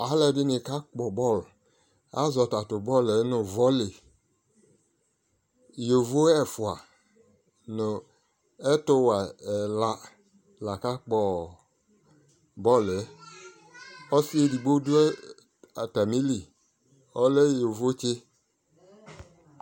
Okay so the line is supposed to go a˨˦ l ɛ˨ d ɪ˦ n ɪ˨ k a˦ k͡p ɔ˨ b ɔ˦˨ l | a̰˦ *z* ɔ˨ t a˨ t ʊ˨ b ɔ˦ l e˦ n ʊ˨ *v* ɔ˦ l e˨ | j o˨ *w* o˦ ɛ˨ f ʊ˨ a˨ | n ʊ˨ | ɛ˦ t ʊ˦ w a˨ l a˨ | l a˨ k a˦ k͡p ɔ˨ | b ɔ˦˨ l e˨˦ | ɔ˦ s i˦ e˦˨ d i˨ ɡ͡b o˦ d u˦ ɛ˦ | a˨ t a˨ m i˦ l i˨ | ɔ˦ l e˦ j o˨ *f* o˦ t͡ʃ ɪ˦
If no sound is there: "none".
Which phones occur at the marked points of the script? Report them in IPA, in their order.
z, v, v, v

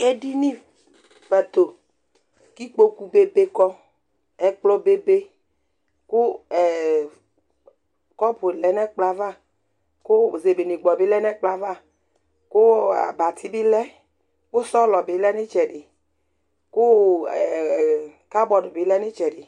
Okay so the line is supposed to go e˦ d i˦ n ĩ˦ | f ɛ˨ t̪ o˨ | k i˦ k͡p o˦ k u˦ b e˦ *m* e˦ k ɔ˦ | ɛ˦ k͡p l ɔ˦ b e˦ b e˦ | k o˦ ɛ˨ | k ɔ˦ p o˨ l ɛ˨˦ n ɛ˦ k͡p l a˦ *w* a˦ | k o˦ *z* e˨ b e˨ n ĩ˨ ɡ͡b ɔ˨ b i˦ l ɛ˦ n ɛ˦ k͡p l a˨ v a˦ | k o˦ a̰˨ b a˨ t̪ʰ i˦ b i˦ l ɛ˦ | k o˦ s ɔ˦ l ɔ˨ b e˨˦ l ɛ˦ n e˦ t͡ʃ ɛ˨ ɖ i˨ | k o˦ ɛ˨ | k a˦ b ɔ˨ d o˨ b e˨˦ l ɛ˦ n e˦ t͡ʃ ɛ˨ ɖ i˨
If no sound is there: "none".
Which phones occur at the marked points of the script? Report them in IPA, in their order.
b, v, z

